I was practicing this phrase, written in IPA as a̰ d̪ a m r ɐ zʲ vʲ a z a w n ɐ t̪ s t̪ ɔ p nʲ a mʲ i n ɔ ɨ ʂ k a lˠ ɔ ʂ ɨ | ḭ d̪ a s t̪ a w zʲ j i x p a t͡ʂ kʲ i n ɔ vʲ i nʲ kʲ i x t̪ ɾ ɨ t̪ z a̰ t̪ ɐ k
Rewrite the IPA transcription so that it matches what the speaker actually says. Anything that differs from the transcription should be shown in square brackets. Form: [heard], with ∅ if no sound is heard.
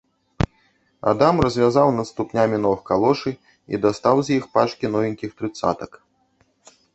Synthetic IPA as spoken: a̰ d̪ a m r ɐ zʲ vʲ a z a w n ɐ t̪ s t̪ [u] p nʲ a mʲ i n ɔ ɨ [x] k a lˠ ɔ ʂ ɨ | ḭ d̪ a s t̪ a w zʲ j i x p a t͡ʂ kʲ i n ɔ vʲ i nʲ kʲ i x t̪ ɾ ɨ t̪ [s] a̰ t̪ ɐ k